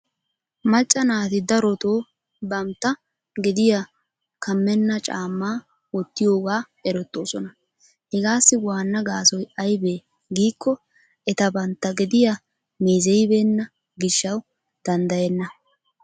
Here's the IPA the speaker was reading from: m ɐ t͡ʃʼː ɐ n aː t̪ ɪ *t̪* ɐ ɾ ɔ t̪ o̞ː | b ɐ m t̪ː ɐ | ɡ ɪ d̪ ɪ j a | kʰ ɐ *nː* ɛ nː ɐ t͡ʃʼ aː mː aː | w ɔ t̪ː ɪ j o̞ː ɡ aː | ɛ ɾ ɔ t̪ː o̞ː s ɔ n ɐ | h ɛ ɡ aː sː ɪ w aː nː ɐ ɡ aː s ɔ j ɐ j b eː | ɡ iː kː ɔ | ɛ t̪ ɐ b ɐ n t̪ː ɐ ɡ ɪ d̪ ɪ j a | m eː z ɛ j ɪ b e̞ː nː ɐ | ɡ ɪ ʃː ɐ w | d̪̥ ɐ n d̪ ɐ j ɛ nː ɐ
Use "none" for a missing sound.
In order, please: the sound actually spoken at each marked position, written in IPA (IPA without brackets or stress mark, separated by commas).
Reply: d̪, mː